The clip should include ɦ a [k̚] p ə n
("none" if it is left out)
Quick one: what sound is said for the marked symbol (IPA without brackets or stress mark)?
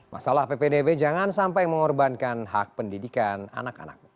k̚